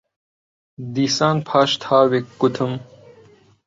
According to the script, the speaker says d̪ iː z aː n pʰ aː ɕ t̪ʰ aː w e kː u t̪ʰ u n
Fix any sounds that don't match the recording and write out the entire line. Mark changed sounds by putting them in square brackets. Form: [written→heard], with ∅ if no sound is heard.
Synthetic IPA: d̪ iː [z→s] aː n pʰ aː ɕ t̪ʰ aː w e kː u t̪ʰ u [n→m]